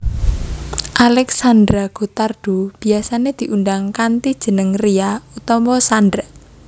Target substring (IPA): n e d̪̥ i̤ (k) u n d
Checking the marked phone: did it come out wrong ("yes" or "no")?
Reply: yes